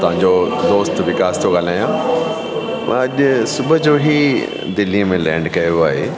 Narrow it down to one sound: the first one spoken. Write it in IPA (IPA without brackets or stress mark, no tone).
t̪